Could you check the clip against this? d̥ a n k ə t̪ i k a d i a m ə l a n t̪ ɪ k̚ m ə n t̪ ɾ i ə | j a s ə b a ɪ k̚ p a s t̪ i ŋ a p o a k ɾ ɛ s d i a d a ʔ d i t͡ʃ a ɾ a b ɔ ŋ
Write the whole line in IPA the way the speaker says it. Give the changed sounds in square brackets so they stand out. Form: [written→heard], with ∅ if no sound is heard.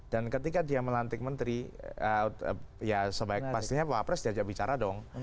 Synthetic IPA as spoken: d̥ a n k ə t̪ i k a d i a m ə l a n t̪ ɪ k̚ m ə n t̪ ɾ i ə | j a s ə b a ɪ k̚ p a s t̪ i [ŋ→ɲ] a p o a [k→p] ɾ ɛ s d i a [d→d͡ʒ] a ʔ [d→b] i t͡ʃ a ɾ a [b→d] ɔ ŋ